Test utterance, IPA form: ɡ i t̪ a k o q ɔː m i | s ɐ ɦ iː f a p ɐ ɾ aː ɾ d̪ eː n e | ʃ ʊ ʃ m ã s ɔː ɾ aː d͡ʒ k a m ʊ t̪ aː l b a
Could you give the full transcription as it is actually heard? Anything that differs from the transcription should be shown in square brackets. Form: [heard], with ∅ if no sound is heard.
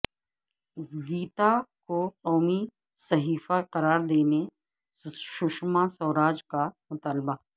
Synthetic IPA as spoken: ɡ [iː] t̪ a k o q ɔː m i | s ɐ ɦ iː f a [q] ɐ ɾ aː ɾ d̪ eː n e | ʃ ʊ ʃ m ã s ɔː ɾ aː d͡ʒ k a m ʊ t̪ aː l b a